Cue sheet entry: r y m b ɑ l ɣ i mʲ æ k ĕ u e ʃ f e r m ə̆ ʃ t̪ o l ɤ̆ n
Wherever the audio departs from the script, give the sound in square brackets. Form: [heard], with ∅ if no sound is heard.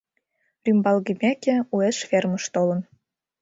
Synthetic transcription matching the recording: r y m b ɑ l ɣ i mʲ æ k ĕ u e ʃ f e r m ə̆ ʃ t̪ o l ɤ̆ n